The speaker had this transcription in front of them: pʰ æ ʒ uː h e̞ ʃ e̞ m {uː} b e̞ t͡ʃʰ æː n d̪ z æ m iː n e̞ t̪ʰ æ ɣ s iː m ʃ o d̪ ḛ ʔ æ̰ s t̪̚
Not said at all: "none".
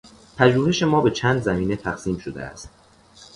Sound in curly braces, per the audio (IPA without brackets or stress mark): ɒː